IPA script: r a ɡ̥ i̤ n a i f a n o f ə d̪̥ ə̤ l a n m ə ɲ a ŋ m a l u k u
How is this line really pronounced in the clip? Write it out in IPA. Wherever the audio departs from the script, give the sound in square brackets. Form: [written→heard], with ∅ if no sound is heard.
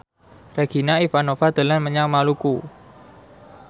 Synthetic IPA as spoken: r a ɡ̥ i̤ n a i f a n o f [ə→a] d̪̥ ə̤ l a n m ə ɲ a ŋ m a l u k u

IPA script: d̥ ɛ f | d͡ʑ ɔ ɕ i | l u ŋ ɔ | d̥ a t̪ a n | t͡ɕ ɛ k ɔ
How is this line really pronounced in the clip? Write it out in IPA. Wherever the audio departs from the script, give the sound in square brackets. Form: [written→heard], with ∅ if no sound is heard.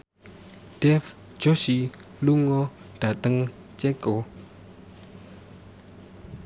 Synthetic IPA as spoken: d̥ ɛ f | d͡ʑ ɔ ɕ i | l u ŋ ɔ | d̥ a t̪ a [n→ŋ] | t͡ɕ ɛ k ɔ

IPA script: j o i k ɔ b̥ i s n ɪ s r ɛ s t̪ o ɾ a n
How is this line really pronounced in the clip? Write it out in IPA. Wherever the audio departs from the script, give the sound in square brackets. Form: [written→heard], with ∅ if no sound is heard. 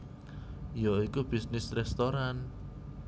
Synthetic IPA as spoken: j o i k [ɔ→u] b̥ i s n ɪ s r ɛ s t̪ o ɾ a n

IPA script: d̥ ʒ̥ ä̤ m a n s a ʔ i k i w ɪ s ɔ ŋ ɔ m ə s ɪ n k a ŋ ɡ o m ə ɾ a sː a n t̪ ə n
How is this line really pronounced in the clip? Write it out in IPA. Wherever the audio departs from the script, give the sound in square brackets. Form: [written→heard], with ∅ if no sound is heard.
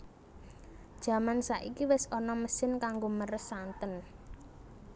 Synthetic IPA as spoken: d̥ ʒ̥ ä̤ m a n s a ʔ i k i w ɪ s ɔ [ŋ→n] ɔ m ə s ɪ n k a ŋ ɡ o m ə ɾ [a→ə] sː a n t̪ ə n

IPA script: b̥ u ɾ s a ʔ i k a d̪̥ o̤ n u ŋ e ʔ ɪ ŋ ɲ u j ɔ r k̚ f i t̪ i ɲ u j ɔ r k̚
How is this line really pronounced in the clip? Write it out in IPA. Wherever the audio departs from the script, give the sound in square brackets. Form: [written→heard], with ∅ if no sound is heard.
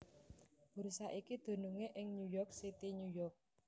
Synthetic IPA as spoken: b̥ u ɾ s a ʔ i k [a→i] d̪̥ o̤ n u ŋ e ʔ ɪ ŋ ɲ u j ɔ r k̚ [f→s] i t̪ i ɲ u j ɔ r k̚

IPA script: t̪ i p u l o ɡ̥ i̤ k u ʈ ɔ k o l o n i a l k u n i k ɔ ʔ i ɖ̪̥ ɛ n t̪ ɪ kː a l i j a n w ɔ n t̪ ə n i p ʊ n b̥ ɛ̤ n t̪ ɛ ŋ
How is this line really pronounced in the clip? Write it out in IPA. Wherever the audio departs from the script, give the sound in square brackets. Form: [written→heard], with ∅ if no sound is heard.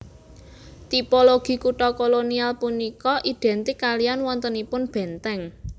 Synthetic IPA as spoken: t̪ i p [u→o] l o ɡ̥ i̤ k u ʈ ɔ k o l o n i a l [k→p] u n i k ɔ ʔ i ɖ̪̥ ɛ n t̪ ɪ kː a l i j a n w ɔ n t̪ ə n i p ʊ n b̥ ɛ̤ n t̪ ɛ ŋ

